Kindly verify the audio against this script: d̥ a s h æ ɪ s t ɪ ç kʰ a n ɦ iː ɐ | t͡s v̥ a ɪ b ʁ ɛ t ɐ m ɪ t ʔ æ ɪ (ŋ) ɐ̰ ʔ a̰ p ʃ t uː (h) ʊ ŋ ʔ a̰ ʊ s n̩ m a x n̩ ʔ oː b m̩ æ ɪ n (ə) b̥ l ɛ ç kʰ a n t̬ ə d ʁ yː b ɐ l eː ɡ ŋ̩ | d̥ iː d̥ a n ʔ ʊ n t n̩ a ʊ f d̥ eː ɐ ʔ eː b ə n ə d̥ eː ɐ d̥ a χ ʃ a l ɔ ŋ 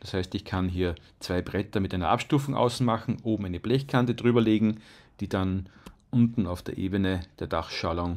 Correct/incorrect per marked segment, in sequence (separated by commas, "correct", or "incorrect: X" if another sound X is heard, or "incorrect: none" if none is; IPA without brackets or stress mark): incorrect: n, incorrect: f, correct